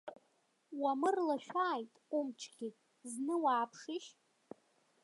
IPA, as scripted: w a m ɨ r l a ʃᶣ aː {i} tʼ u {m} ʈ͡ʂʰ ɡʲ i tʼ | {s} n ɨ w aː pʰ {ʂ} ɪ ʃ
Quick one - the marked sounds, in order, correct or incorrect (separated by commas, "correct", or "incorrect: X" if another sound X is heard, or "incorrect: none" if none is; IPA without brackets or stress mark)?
incorrect: j, correct, incorrect: z, correct